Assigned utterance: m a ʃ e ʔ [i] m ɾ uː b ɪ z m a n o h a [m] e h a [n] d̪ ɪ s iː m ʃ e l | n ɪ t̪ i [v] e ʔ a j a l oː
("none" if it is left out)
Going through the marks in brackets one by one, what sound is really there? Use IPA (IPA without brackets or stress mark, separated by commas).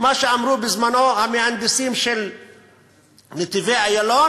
a, m, n, v